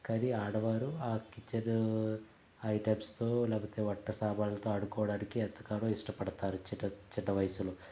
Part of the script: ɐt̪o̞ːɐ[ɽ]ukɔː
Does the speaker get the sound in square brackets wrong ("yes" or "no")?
no